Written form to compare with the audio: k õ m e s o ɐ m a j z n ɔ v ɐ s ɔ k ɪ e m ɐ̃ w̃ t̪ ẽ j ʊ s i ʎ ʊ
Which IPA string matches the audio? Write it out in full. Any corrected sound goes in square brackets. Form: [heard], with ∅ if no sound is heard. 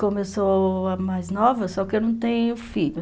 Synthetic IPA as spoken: k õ m e s o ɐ m a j z n ɔ v ɐ s ɔ k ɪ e [n] ɐ̃ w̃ t̪ ẽ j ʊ [f] i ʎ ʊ